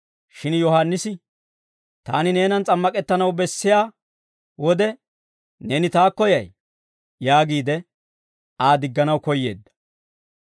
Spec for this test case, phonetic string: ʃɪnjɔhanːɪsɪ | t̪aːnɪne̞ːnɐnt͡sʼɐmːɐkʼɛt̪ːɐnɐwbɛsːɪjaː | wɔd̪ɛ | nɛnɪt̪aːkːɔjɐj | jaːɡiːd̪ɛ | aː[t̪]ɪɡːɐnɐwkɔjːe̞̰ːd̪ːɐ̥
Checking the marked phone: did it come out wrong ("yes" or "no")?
yes